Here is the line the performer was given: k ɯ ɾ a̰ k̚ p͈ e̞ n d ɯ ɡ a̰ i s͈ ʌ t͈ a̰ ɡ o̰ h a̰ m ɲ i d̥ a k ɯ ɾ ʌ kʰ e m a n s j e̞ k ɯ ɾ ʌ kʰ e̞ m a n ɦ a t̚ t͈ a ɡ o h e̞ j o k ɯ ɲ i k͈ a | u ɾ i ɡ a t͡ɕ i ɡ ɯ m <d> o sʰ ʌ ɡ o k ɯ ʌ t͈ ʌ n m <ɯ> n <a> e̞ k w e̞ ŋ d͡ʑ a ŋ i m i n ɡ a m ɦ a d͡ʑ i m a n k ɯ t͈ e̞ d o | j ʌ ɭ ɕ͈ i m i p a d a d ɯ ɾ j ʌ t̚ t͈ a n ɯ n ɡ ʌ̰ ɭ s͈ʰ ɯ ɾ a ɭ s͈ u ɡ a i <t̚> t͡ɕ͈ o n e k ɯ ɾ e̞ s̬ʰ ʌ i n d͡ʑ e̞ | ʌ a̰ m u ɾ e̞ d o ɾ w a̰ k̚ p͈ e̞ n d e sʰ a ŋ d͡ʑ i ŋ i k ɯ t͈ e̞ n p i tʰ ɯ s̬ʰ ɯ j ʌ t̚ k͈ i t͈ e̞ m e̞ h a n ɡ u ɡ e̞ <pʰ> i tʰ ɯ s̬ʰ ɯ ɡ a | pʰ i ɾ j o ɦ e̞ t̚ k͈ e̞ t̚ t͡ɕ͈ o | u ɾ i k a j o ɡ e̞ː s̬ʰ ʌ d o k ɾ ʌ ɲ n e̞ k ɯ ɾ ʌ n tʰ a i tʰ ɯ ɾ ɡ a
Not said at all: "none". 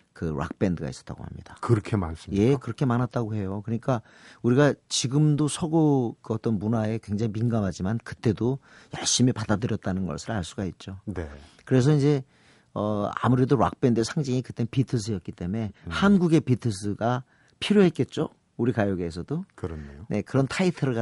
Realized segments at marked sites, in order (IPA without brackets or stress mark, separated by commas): d, u, a, t̚, p